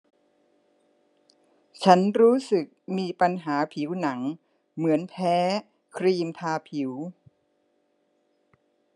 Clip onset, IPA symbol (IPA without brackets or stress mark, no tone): t͡ɕʰ